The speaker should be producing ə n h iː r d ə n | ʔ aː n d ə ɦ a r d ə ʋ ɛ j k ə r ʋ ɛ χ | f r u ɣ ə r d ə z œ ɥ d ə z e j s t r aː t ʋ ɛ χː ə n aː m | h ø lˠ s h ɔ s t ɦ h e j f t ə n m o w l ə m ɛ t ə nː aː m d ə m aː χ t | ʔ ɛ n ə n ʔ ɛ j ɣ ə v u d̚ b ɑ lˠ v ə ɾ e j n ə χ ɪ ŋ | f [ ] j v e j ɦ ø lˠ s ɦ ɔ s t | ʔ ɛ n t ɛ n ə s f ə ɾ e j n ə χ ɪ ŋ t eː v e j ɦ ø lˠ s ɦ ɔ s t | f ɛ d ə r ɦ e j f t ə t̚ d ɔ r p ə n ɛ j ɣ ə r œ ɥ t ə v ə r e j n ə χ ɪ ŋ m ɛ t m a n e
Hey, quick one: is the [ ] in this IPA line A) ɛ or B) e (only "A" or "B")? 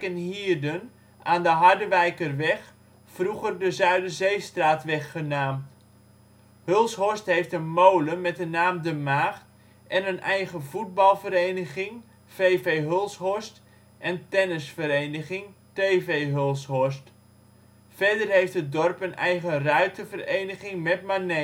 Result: B